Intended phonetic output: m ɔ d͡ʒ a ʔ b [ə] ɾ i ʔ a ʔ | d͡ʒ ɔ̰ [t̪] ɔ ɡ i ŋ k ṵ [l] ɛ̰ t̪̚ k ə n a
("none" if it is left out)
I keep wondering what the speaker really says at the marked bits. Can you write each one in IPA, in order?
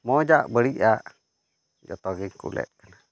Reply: ə, t̪, l

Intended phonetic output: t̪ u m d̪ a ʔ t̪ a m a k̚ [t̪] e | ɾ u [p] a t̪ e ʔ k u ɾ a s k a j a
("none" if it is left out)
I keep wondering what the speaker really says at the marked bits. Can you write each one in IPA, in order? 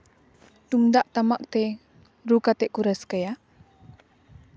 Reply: t̪, k

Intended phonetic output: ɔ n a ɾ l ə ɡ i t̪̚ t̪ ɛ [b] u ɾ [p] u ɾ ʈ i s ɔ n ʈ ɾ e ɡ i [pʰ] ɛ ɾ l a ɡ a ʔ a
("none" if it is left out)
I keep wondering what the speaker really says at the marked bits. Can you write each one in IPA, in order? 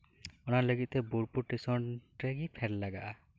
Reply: b, p, pʰ

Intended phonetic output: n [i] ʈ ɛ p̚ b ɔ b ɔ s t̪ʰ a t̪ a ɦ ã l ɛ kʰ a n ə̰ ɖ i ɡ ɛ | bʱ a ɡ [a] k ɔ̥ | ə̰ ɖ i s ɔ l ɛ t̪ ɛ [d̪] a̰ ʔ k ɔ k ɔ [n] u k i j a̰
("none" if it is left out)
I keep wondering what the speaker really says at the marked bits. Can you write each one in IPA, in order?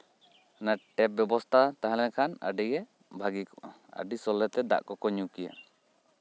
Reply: a, i, d̪, ɲ

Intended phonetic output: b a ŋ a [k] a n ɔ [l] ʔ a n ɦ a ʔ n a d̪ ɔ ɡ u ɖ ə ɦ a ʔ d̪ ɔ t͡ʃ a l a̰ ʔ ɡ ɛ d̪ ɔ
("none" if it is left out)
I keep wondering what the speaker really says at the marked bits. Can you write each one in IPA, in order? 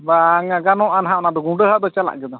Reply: ɡ, none

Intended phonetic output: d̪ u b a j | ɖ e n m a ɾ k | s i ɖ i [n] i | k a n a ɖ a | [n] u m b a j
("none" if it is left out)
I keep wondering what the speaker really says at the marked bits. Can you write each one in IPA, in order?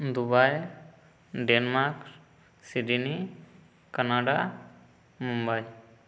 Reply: n, m

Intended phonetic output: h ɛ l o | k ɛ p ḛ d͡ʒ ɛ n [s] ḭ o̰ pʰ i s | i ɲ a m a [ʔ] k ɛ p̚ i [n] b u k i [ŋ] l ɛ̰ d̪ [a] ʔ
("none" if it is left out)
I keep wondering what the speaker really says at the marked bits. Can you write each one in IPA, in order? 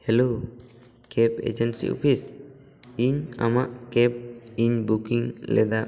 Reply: s, ʔ, ɲ, ŋ, a

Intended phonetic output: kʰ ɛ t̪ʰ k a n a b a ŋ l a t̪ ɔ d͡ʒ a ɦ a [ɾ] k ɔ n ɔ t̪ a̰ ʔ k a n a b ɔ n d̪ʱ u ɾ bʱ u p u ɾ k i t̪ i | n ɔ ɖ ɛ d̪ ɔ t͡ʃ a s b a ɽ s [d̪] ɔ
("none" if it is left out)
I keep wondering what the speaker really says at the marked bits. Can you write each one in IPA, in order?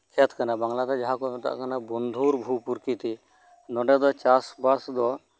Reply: none, d̪

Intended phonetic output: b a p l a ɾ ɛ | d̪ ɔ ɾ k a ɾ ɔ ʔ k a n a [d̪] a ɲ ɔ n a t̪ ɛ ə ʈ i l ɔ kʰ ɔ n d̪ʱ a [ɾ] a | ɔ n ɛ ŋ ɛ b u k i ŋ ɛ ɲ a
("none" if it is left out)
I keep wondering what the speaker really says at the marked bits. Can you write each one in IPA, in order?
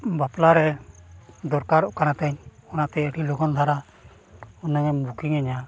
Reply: t̪, ɾ

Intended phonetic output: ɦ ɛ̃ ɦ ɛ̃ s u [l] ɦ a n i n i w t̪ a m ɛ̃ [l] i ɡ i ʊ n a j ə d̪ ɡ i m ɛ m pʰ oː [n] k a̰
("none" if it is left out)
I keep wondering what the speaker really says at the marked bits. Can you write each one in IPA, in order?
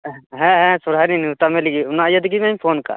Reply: ɾ, l, n

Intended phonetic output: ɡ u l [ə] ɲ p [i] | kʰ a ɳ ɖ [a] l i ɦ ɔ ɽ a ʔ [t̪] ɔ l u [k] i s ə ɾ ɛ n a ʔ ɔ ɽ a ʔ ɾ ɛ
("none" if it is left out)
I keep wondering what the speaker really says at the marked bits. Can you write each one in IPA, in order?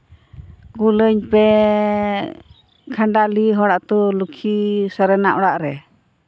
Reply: ə, ɛ, a, t̪, kʰ

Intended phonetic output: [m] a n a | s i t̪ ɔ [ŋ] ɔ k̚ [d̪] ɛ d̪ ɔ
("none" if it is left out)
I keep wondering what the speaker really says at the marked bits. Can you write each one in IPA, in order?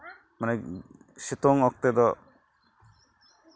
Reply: m, ŋ, t̪

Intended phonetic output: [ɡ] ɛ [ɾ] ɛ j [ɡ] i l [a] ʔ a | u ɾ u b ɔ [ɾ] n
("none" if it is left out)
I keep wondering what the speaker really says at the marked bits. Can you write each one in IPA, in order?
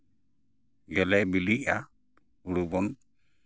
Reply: ɡ, l, b, i, none

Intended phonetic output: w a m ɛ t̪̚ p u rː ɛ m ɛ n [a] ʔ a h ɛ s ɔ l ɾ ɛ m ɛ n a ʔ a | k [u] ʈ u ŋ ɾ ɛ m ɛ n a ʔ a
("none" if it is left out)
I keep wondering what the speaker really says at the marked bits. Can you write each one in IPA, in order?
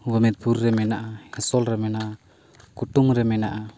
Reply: a, u

